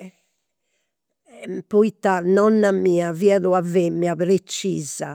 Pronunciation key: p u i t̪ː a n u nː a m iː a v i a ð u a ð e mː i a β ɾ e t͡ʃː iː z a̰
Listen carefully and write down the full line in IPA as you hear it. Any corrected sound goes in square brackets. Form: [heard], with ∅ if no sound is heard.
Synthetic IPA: p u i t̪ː a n [ɔ] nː a m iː a v i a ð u a [v] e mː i a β ɾ e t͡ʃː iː z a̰